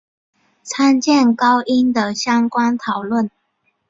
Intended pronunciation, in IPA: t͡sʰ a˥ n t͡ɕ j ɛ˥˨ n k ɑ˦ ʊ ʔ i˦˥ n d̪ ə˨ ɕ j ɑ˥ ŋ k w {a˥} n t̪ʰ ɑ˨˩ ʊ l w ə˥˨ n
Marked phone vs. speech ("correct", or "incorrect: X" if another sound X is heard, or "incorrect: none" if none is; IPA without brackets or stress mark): correct